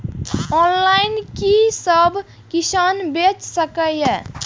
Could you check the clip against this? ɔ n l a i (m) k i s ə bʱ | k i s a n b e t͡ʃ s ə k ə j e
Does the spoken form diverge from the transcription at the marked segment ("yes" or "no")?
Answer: yes